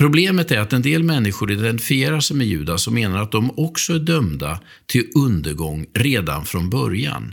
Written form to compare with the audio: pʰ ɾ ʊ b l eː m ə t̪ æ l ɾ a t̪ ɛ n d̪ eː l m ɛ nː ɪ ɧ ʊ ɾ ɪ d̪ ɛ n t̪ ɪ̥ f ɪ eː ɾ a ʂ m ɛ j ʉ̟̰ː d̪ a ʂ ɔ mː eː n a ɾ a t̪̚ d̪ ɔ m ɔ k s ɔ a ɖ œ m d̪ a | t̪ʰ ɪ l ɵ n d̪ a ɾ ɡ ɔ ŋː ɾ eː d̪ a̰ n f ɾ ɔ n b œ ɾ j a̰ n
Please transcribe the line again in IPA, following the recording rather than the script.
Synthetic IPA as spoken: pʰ ɾ ʊ b l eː m ə t̪ æ ɾ a t̪ ɛ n d̪ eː l m ɛ nː ɪ ɧ ʊ ɾ ɪ d̪ ɛ n t̪ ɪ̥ f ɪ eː ɾ a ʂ m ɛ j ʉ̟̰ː d̪ a s ɔ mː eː n a ɾ a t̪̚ d̪ ɔ m ɔ k s ɔ æ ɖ œ m d̪ a | t̪ʰ ɪ l ɵ n d̪ ə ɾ ɡ ɔ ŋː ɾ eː d̪ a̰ n f ɾ ɔ n b œ ɾ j a̰ n